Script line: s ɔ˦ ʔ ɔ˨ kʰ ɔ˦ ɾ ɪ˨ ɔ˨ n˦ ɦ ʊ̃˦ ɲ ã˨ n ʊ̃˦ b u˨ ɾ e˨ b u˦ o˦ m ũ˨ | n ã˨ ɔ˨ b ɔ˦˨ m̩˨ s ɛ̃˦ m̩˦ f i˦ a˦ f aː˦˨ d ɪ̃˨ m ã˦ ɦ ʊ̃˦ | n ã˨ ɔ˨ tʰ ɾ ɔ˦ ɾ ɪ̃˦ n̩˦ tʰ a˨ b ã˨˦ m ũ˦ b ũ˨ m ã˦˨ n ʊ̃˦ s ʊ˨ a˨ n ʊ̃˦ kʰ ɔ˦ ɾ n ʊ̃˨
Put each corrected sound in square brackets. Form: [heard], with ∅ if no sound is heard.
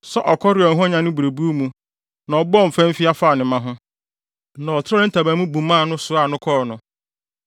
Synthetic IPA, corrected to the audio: s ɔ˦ ʔ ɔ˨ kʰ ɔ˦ ɾ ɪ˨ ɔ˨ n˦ ɦ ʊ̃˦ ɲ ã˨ n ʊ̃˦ b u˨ ɾ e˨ b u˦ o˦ m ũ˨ | n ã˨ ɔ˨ b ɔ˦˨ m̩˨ [f] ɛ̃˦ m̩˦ f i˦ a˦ f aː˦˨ [n] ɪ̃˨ m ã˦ ɦ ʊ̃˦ | n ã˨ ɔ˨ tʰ ɾ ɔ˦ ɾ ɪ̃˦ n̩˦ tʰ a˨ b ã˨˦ m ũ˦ b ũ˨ m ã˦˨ n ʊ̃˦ s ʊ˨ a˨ n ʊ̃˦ kʰ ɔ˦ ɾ n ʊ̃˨